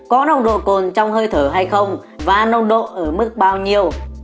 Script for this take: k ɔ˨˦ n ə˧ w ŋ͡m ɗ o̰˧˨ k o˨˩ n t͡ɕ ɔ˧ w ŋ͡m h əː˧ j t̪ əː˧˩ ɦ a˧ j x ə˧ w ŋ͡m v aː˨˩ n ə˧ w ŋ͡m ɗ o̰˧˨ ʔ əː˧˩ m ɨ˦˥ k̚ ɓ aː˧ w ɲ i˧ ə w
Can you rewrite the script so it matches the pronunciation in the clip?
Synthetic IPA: k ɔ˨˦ n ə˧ w ŋ͡m ɗ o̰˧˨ k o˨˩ n t͡ɕ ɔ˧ w ŋ͡m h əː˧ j t̪ʰ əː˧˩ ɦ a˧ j x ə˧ w ŋ͡m v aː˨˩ n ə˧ w ŋ͡m ɗ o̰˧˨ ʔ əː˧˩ m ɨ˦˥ k̚ ɓ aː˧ w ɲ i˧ ə w